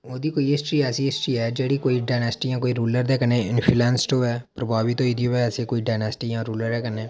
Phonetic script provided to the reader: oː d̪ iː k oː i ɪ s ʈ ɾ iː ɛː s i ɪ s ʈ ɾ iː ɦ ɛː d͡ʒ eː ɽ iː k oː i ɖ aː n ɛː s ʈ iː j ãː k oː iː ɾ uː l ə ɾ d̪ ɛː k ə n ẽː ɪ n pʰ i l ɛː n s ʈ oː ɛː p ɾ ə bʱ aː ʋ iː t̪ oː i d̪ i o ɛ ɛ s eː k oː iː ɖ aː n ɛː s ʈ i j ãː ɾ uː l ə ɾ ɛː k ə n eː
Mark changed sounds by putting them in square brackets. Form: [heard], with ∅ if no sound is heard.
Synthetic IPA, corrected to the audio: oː d̪ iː k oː i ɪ s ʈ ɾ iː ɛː s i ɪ s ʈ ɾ iː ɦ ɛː d͡ʒ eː ɽ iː k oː i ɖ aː n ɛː s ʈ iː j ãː k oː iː ɾ uː l ə ɾ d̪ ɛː k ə n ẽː ɪ n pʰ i l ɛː n s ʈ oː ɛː p ɾ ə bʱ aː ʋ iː t̪ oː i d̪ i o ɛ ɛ s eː k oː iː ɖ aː n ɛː s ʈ i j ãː ɾ uː l ə ɾ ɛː k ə n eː